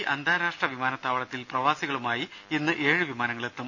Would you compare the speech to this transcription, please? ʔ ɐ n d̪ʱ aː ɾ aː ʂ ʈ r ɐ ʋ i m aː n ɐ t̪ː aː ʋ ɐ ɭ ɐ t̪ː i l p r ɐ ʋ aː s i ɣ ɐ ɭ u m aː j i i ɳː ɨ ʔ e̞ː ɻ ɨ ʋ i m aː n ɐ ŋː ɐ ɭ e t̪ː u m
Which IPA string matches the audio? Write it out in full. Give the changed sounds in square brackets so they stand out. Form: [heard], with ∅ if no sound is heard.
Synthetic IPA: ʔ ɐ n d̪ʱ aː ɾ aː ʂ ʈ r ɐ ʋ i m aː n ɐ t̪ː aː ʋ ɐ ɭ ɐ t̪ː i l p r ɐ ʋ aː s i ɣ ɐ ɭ u m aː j i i [nː] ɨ ʔ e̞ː ɻ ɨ ʋ i m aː n ɐ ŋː ɐ ɭ e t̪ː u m